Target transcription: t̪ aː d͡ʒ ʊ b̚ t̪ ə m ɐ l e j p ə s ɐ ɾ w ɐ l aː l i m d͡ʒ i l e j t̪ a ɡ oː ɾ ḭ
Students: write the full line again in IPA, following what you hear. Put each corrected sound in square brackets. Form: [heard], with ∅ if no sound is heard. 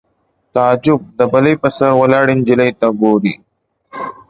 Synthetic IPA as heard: t̪ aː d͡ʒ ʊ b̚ [d̪] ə [b] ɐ l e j p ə s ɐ ɾ w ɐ l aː [ɽ] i [n] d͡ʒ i l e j t̪ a ɡ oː ɾ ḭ